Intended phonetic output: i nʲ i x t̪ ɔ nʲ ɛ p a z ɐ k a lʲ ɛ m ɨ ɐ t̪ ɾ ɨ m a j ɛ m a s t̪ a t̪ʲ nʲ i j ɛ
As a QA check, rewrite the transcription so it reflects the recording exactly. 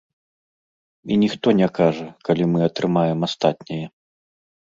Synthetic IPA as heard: i nʲ i x t̪ ɔ nʲ ɛ k a ʐ ɐ k a lʲ i m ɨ ɐ t̪ ɾ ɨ m a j ɛ m a s t̪ a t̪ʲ nʲ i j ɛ